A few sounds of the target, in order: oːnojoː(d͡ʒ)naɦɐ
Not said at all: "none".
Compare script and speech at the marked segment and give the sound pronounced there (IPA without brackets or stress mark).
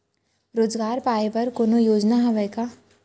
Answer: d͡ʒ